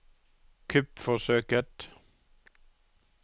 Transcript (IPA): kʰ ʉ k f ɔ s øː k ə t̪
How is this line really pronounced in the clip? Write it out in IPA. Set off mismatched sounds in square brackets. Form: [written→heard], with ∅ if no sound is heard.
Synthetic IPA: kʰ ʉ [k→p] f ɔ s øː k ə t̪